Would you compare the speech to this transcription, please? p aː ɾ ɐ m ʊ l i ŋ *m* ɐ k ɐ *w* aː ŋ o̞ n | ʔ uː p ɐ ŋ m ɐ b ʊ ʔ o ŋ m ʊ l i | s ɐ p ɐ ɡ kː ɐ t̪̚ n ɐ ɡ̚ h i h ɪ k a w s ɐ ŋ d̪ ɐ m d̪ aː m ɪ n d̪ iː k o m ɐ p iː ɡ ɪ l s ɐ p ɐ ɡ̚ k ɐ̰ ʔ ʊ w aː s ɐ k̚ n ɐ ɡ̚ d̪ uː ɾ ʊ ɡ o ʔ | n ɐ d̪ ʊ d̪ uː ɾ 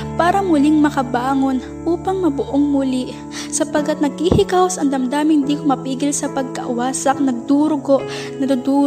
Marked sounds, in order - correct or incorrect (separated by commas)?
correct, incorrect